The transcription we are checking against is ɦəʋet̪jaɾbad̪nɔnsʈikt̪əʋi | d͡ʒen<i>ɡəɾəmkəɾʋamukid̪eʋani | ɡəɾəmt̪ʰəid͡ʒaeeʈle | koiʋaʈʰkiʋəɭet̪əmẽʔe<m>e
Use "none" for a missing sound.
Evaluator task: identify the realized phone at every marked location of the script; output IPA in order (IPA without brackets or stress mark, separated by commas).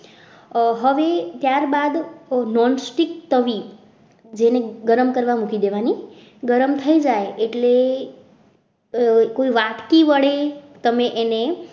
e, n